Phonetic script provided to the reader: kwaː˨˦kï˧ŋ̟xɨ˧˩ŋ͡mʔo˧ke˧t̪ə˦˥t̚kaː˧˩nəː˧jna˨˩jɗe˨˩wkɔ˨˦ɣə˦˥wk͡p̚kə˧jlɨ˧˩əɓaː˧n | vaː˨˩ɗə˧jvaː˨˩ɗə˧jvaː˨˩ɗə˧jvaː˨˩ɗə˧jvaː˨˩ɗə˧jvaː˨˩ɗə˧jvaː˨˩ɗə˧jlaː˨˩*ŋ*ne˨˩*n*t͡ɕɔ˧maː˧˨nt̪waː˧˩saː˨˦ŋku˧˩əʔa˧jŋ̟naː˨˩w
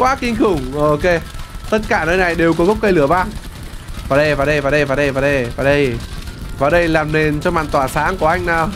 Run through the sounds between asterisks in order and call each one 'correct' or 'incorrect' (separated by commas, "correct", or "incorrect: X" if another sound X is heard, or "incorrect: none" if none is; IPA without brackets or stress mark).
incorrect: m, correct